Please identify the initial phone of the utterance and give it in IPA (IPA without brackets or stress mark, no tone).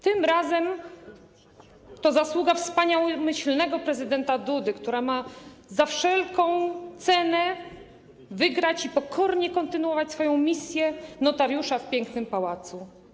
t̪